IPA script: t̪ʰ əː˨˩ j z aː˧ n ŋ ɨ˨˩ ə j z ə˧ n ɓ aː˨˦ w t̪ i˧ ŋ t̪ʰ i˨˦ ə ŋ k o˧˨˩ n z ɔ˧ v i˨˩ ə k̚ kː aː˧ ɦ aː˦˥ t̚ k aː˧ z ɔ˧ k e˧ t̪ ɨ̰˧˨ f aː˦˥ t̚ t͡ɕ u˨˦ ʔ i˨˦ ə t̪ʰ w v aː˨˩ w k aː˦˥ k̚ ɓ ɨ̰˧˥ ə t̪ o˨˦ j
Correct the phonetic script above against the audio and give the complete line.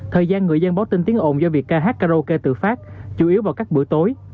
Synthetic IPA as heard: t̪ʰ əː˨˩ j z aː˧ n ŋ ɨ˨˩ ə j z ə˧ n ɓ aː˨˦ w t̪ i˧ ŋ t̪ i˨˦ ə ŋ ʔ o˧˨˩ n z ɔ˧ v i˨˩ ə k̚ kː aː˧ ɦ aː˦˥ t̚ k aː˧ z o˧ k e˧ t̪ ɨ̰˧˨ f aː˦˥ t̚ t͡ɕ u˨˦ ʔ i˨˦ ə w v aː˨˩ w k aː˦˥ k̚ ɓ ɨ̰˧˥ ə t̪ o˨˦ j